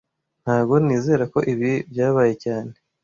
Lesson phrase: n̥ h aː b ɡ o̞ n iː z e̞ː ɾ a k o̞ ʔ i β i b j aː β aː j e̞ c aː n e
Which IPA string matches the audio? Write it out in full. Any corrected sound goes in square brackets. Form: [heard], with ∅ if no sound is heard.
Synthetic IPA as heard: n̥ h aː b ɡ o̞ n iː z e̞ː ɾ a k o̞ ʔ i β i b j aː β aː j e̞ c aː n e